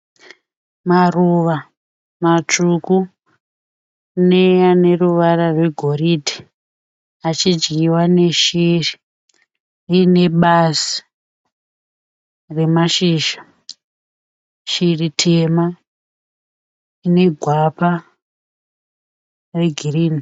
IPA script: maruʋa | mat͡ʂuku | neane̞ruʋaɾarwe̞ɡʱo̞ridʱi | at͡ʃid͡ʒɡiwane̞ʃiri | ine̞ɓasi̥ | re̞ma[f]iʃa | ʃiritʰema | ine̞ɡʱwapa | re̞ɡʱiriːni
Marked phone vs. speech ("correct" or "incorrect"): incorrect